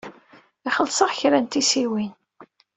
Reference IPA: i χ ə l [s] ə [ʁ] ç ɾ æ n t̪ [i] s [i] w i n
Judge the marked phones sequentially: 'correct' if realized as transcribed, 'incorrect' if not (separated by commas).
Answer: correct, correct, correct, correct